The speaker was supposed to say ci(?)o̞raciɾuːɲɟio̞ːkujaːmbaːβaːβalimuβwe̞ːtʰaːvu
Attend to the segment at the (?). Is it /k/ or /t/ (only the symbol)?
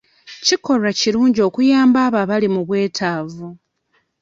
k